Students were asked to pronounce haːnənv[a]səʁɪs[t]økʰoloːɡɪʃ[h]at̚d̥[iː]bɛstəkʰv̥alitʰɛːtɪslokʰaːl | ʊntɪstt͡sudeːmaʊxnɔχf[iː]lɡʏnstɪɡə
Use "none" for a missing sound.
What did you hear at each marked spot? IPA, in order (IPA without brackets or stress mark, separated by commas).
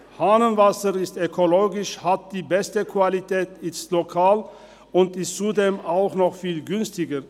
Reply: a, t, h, iː, iː